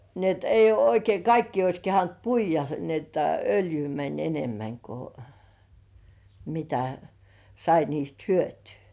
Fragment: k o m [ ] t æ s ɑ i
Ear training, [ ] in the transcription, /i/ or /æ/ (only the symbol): i